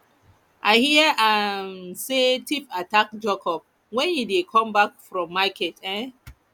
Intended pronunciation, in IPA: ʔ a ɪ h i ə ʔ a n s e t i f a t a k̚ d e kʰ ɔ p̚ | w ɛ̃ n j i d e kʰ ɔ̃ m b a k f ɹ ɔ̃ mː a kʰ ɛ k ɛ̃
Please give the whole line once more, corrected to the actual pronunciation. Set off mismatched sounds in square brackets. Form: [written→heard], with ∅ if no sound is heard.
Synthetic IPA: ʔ a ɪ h i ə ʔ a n s e t i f a t a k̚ [d→d͡ʒ] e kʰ ɔ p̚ | w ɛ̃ n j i d e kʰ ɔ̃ m b a k f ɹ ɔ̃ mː a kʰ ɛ [k→t] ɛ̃